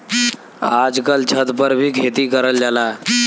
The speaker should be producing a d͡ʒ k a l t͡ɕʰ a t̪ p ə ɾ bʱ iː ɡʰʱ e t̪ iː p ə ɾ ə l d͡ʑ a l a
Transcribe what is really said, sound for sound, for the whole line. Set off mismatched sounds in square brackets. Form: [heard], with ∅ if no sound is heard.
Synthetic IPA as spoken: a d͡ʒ k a l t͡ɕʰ [ə] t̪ p ə ɾ bʱ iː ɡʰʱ e t̪ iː [k] ə ɾ ə l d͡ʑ a l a